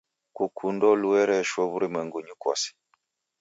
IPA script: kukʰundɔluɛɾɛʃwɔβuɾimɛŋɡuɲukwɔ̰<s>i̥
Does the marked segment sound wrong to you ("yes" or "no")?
no